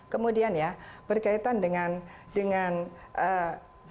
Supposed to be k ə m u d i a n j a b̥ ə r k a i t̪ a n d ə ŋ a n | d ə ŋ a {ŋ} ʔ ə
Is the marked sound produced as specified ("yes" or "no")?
no